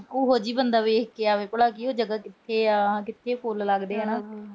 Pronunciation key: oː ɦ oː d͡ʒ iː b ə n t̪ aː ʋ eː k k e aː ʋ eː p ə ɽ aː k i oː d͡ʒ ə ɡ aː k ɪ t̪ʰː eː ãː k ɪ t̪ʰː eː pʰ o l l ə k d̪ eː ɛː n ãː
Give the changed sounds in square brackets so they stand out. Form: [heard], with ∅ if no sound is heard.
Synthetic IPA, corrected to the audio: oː ɦ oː d͡ʒ iː b ə n [d̪] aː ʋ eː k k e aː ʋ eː p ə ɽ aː k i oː d͡ʒ ə ɡ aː k ɪ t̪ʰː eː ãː k ɪ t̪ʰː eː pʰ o l l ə [ɡ] d̪ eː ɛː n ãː